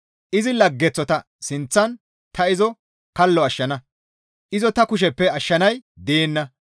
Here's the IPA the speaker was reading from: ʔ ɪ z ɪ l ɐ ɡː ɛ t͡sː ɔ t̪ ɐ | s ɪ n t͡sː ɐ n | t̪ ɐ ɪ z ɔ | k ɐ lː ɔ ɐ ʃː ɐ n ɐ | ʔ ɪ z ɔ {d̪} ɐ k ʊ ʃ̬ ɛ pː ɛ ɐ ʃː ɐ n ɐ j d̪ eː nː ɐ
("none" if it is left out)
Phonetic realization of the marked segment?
t̪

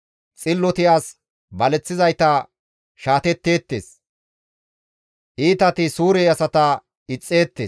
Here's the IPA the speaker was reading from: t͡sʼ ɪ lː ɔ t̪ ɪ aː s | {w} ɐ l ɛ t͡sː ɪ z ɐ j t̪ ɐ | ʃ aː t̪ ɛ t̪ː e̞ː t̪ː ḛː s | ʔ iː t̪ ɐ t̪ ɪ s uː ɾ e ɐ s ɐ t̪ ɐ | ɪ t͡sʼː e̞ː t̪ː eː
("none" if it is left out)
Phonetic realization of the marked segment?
b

